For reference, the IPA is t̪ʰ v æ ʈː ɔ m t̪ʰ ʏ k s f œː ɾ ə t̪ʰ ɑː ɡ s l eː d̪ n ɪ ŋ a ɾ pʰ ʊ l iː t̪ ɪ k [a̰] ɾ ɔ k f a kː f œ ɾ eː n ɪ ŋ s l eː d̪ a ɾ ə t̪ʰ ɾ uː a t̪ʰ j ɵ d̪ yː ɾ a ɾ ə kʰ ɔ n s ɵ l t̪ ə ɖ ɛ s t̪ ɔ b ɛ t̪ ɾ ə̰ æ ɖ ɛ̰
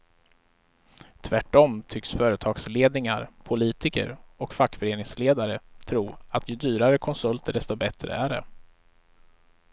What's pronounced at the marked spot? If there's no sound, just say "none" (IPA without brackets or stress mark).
ə̰